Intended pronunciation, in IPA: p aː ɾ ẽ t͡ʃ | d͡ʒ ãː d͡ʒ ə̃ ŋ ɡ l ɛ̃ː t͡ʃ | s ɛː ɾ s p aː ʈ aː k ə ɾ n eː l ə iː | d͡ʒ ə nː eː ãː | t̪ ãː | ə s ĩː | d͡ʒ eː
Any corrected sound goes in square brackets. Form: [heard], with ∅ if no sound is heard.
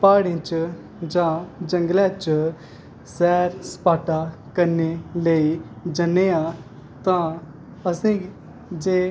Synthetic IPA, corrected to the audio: p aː [ɽ] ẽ t͡ʃ | d͡ʒ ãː d͡ʒ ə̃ ŋ ɡ l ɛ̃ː t͡ʃ | s ɛː ɾ s p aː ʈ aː k ə ɾ n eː l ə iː | d͡ʒ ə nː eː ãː | t̪ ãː | ə s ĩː | d͡ʒ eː